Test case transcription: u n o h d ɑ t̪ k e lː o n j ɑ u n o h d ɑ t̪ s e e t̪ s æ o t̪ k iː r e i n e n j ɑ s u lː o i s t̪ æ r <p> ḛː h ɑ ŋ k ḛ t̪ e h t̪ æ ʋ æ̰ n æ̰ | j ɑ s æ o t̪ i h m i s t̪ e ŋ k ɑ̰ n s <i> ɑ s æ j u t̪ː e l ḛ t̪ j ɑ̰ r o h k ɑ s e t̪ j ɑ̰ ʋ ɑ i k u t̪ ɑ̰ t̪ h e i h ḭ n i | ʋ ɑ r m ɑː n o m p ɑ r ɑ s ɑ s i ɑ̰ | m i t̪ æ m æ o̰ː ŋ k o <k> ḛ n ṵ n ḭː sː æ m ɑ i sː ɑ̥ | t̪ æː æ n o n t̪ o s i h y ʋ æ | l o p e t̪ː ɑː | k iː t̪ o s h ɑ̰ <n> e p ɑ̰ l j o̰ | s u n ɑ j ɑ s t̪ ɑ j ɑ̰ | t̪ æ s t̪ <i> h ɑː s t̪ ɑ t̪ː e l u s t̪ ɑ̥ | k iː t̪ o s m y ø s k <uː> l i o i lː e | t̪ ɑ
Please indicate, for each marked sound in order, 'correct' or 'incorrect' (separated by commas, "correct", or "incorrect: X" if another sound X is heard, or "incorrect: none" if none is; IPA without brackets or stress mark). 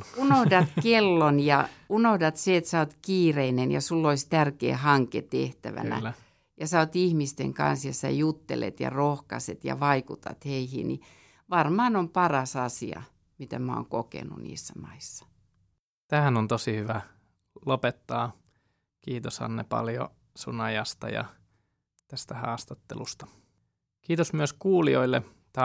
incorrect: k, incorrect: j, correct, incorrect: nː, incorrect: æ, correct